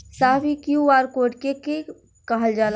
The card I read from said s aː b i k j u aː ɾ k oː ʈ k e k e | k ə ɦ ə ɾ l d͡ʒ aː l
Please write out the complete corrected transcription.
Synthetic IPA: s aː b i k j u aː ɾ k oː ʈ k e k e | k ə ɦ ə l d͡ʒ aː l

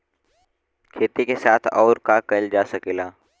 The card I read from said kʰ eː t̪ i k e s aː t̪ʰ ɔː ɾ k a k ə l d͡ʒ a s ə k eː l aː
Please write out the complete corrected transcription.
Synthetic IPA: kʰ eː t̪ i k e s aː t̪ʰ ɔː ɾ k a k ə l d͡ʒ a s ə k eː l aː

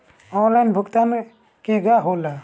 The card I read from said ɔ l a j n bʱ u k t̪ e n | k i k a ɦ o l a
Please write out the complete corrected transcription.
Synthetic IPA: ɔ l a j n bʱ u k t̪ a n | k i ɡ a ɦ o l a

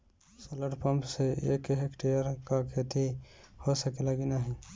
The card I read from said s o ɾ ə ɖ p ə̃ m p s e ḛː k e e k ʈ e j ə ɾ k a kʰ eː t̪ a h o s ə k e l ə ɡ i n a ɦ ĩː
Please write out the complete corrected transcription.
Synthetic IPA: s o l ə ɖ p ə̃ m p s e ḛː k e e k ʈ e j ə ɾ k a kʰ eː t̪ i h o s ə k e l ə ɡ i n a ɦ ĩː

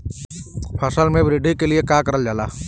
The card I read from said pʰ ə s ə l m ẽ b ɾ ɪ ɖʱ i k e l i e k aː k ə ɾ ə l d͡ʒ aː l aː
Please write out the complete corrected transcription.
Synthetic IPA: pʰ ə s ə l m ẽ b ɾ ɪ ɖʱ i k e l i e k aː k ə ɾ ə l d͡ʒ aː l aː

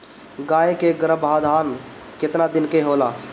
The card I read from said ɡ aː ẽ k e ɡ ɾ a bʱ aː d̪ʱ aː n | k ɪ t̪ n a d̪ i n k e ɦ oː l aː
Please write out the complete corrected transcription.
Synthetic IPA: ɡ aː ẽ k e ɡ ɾ ə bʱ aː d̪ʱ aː n | k ɪ t̪ n a d̪ ɪ n k e ɦ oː l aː

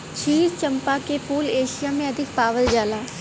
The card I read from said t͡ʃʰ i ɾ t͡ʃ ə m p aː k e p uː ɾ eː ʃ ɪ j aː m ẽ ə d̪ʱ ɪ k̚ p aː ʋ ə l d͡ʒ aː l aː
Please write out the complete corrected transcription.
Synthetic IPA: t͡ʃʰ iː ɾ t͡ʃ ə m p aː k e p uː l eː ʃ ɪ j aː m ẽ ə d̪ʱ ɪ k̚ p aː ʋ ə l d͡ʒ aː l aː

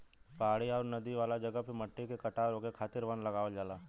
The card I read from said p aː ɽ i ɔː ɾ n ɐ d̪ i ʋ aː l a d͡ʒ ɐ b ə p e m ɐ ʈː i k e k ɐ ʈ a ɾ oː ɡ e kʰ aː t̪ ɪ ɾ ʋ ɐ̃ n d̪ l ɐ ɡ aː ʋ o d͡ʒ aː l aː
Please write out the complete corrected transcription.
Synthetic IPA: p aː ɽ i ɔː ɾ n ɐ d̪ i ʋ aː l a d͡ʒ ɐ ɡ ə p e m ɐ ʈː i k e k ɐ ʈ a ɾ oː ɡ e kʰ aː t̪ ɪ ɾ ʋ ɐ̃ n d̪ l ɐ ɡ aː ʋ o d͡ʒ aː l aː

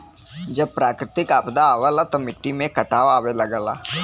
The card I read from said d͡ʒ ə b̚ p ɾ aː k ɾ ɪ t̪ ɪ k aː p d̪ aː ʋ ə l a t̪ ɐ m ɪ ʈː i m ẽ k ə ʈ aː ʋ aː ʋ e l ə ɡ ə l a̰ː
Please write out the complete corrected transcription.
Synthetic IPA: d͡ʒ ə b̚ p ɾ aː k ɾ ɪ t̪ ɪ k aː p d̪ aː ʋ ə l a t̪ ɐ m ɪ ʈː i m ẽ k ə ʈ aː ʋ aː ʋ e l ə ɡ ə l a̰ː

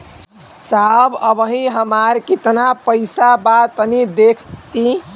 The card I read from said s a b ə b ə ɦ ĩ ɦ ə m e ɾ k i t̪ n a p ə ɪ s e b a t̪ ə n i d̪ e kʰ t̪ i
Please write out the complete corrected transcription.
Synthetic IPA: s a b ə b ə ɦ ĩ ɦ ə m a ɾ k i t̪ n a p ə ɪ s a b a t̪ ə n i d̪ e kʰ t̪ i

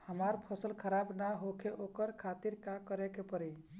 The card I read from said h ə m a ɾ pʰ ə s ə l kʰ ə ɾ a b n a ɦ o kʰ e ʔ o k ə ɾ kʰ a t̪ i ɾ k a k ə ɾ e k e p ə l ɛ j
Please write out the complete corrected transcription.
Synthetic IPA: h ə m a ɾ pʰ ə s ə l kʰ ə ɾ a b n a ɦ o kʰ e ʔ o k ə ɾ kʰ a t̪ i ɾ k a k ə ɾ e k e p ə ɾ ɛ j

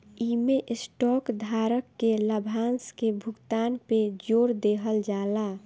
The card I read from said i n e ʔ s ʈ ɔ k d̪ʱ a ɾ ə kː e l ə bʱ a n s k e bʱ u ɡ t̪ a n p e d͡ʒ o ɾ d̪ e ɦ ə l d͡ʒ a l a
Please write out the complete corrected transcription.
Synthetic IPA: i m e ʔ s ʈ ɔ k d̪ʱ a ɾ ə kː e l ə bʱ a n s k e bʱ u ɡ t̪ a n p e d͡ʒ o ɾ d̪ e ɦ ə l d͡ʒ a l a

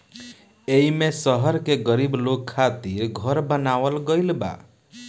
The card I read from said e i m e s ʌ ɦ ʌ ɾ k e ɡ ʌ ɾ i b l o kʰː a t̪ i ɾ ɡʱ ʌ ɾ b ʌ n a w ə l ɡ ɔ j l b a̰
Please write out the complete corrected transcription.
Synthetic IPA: e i m e s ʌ ɦ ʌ ɾ k e ɡ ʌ ɾ i b l o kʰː a t̪ i ɾ ɡʱ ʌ ɾ b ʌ n a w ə l ɡ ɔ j l b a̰

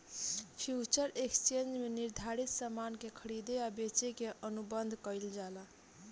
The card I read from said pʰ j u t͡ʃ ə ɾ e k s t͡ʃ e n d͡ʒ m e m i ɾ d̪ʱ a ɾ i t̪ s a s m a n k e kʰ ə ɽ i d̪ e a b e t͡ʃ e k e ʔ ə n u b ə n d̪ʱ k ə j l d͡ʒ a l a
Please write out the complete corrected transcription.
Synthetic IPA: pʰ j u t͡ʃ ə ɾ e k s t͡ʃ e n d͡ʒ m e n i ɾ d̪ʱ a ɾ i t̪ s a m a n k e kʰ ə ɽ i d̪ e a b e t͡ʃ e k e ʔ ə n u b ə n d̪ʱ k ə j l d͡ʒ a l a

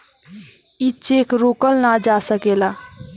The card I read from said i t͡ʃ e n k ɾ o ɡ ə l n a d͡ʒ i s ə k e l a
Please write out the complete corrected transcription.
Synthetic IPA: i t͡ʃ e k ɾ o k ə l n a d͡ʒ a s ə k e l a

